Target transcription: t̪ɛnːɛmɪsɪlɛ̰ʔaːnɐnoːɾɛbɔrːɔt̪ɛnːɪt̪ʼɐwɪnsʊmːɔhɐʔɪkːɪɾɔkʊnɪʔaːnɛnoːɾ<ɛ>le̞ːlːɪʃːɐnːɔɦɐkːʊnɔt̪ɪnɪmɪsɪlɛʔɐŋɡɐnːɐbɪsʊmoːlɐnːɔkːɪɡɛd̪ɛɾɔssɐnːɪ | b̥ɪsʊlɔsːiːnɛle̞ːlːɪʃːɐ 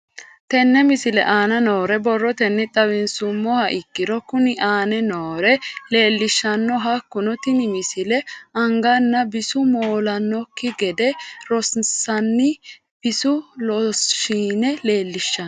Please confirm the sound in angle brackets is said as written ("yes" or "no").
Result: yes